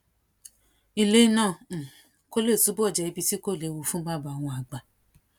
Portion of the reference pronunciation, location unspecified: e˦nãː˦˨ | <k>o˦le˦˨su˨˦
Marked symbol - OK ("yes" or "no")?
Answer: yes